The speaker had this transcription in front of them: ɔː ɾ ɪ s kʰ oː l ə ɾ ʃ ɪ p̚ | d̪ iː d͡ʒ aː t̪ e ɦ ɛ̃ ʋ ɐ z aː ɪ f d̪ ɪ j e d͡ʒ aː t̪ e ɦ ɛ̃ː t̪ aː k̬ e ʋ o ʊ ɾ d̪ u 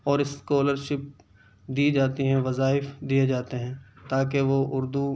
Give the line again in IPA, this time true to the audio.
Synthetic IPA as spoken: ɔː ɾ ɪ s k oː l ə ɾ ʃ ɪ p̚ | d̪ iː d͡ʒ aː t̪ i ɦ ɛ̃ ʋ ɐ z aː ɪ f d̪ i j e d͡ʒ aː t̪ e ɦ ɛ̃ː t̪ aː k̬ e ʋ o ʊ ɾ d̪ u